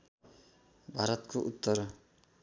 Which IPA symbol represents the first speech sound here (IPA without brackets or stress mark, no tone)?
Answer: bʱ